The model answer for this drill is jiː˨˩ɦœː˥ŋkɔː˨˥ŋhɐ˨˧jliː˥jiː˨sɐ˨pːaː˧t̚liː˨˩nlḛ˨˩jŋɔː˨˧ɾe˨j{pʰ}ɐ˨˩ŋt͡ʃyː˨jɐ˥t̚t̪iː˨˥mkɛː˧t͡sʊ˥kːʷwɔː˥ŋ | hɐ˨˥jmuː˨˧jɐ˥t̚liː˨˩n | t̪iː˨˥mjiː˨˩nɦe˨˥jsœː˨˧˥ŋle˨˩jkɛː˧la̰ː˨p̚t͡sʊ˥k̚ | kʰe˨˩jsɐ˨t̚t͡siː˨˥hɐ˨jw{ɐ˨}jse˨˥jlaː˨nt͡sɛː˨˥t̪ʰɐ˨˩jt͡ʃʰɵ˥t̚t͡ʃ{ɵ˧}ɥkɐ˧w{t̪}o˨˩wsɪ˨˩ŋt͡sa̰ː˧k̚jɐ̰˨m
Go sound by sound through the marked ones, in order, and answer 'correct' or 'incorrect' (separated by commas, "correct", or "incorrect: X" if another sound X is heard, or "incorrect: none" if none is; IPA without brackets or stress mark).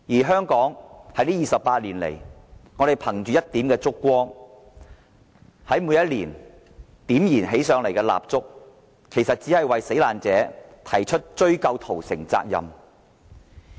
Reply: correct, correct, incorrect: ɵ˥, incorrect: t̪ʰ